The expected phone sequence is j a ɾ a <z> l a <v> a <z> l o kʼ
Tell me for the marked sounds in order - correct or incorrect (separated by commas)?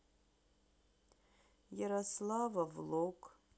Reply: incorrect, correct, incorrect